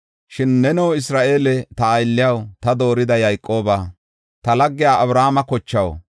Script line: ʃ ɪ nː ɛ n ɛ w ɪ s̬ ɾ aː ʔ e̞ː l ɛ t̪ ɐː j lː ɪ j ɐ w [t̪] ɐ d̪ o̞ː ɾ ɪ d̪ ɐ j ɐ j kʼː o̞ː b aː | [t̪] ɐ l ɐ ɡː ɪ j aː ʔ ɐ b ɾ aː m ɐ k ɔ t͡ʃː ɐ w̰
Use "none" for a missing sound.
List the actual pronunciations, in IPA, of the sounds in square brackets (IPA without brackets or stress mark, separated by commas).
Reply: t̪, t̪